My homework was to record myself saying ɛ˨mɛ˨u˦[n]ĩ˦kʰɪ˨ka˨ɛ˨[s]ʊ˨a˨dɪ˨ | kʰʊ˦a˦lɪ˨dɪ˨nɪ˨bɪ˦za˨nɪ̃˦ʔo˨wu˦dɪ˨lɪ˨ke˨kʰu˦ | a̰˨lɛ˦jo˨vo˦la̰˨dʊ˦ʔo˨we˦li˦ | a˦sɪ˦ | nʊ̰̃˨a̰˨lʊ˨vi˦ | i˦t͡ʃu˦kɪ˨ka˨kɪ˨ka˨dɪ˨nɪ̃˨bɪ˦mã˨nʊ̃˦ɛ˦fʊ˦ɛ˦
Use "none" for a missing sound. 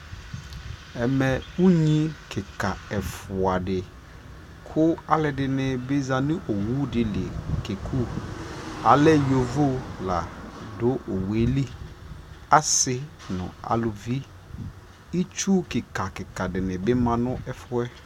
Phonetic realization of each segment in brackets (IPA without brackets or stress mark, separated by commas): ɲ, f